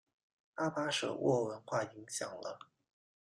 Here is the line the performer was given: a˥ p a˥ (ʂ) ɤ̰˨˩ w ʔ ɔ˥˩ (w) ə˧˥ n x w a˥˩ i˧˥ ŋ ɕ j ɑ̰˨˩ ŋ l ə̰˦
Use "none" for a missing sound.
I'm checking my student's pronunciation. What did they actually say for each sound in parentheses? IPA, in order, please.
ʂ, w

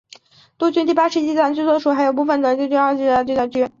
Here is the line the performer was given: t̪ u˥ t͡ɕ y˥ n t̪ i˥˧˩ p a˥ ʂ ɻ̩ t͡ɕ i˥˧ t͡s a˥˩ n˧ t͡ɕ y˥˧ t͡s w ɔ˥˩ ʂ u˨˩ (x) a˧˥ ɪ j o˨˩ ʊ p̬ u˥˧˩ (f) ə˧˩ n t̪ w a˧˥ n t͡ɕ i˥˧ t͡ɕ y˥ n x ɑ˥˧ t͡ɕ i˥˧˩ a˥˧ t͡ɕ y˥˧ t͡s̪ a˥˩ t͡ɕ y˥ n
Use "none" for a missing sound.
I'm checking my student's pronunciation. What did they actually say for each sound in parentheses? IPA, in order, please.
x, f

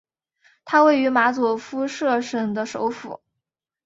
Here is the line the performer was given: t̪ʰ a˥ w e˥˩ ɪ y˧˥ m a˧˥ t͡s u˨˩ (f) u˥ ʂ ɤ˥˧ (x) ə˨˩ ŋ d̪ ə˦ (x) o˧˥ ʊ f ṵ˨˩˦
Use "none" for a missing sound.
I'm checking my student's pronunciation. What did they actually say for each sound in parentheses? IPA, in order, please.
f, ʂ, ʂ

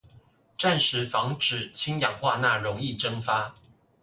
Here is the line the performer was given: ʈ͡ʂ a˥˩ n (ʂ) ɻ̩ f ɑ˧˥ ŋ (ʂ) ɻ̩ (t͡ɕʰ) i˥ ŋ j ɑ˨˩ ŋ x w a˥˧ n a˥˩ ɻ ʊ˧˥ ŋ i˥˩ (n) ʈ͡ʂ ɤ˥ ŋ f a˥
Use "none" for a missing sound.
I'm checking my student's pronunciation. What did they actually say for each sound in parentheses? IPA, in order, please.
ʂ, ʈ͡ʂ, t͡ɕʰ, none

